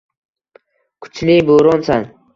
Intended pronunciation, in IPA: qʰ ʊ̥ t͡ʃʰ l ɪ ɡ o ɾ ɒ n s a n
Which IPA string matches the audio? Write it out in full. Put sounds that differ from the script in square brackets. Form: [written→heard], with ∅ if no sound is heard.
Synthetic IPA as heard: [qʰ→kʰ] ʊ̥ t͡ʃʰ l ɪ [ɡ→b] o ɾ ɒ n s a n